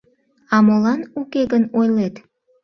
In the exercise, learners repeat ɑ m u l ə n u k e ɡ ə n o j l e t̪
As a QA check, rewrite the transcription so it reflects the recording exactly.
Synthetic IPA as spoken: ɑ m o l ɑ n u k e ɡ ə n o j l e t̪